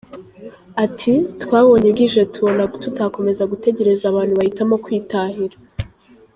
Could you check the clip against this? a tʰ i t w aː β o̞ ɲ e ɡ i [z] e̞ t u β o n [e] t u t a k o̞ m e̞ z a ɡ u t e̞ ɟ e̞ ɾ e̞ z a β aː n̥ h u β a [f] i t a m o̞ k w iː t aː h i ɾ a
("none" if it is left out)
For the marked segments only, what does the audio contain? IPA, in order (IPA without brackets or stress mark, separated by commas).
ʒ, a, h